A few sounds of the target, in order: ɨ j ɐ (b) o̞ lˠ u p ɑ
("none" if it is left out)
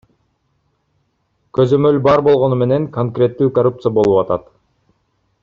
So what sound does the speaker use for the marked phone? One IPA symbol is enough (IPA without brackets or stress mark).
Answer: b